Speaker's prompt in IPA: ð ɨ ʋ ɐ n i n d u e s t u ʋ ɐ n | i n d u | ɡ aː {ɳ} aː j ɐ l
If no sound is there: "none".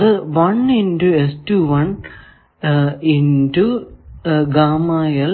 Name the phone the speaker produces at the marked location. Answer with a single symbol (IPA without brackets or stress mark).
m